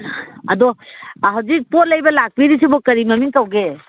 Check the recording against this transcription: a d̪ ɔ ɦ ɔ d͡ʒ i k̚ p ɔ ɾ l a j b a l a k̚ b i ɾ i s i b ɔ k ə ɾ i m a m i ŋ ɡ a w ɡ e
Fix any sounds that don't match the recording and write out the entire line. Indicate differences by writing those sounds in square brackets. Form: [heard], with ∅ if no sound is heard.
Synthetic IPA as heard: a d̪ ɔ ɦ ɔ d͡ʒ i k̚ p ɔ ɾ l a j b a l a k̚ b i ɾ i s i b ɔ k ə ɾ i m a m i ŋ [k] a w ɡ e